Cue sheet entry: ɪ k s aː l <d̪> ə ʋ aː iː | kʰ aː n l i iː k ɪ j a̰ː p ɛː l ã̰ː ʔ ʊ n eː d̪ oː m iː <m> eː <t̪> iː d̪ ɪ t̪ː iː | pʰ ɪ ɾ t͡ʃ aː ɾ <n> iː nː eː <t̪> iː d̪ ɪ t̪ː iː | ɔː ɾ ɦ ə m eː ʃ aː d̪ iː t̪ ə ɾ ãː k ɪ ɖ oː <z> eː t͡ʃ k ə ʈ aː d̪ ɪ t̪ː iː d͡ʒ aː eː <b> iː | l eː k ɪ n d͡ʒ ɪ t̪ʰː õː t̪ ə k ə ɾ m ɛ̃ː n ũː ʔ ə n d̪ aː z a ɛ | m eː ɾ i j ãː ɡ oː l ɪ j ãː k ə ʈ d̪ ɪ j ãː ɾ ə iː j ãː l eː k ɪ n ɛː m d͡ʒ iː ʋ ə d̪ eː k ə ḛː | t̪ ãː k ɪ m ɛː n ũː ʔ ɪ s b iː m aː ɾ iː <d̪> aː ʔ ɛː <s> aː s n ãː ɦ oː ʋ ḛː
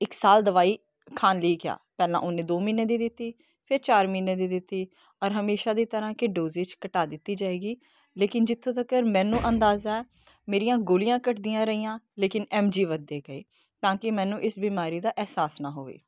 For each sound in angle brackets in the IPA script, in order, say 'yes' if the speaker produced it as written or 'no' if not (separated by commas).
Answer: yes, no, no, no, no, yes, no, yes, yes